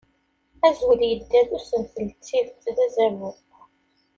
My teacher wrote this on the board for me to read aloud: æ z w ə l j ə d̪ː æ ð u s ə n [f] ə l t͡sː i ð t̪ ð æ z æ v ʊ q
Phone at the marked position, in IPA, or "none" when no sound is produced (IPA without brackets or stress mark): θ